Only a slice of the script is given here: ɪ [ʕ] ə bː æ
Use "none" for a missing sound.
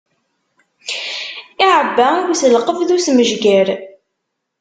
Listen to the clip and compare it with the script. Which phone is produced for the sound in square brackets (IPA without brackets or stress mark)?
ʕ